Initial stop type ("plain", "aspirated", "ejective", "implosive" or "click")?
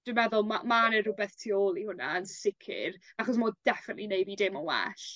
plain